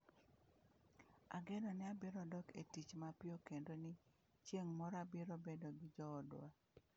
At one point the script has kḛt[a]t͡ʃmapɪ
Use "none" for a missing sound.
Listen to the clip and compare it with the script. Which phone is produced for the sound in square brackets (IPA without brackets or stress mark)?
i